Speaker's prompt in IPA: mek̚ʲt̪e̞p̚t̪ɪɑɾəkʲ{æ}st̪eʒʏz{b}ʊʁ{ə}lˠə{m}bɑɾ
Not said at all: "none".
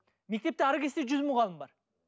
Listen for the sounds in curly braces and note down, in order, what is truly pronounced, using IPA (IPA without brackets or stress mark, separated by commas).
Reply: e, m, ɑ, m